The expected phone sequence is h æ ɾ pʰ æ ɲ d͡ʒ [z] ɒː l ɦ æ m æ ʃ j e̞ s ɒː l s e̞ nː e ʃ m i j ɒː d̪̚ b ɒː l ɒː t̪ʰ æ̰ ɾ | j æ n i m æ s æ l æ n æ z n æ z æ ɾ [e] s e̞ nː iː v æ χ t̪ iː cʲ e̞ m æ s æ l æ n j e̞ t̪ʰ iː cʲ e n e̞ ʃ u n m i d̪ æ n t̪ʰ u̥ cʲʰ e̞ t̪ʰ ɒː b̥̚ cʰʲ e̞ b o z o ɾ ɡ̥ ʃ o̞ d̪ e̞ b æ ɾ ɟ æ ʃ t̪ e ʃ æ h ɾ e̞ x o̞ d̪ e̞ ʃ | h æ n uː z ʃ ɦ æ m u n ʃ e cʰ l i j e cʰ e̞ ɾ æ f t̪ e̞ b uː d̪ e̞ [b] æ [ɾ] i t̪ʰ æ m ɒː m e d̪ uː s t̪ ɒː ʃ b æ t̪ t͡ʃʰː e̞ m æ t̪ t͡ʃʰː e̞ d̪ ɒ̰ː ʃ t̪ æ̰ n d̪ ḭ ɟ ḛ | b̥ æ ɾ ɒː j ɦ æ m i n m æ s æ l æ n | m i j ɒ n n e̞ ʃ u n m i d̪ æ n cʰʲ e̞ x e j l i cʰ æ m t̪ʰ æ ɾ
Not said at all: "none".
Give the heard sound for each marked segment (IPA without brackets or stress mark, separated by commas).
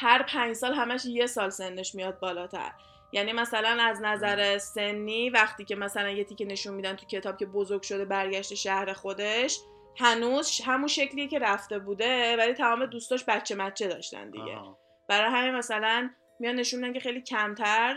s, e, v, l